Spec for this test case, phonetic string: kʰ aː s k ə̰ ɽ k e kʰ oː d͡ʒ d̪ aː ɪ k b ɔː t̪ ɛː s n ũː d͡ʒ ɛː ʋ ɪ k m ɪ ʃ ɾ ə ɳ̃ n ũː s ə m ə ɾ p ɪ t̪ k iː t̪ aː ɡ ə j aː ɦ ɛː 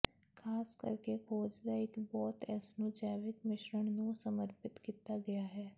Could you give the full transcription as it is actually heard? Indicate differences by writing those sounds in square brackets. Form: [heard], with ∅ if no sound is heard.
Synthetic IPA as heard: kʰ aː s k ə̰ [ɾ] k e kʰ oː d͡ʒ d̪ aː ɪ k b ɔː t̪ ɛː s n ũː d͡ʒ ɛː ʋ ɪ k m ɪ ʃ ɾ ə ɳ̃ n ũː s ə m ə ɾ p ɪ t̪ k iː t̪ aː ɡ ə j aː ɦ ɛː